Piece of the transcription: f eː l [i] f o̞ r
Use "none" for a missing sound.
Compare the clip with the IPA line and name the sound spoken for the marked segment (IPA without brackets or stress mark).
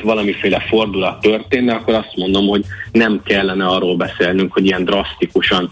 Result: ɛ